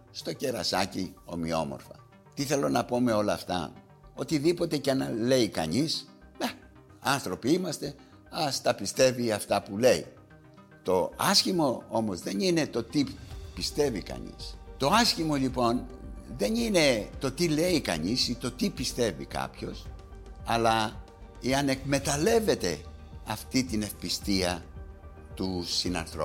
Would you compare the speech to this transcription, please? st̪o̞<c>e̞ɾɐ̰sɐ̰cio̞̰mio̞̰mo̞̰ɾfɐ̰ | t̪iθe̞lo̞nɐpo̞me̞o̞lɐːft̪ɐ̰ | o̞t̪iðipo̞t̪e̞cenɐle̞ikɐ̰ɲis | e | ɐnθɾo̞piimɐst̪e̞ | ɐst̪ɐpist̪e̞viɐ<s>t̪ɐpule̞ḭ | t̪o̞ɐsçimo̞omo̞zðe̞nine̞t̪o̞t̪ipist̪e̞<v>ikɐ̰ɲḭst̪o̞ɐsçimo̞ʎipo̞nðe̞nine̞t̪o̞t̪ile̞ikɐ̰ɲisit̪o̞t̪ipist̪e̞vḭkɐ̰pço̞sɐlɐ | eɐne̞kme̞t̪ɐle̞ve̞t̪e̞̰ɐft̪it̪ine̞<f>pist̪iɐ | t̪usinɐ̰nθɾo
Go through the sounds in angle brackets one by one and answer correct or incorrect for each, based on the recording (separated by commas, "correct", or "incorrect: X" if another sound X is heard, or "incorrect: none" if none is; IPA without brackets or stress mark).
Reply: correct, incorrect: f, correct, correct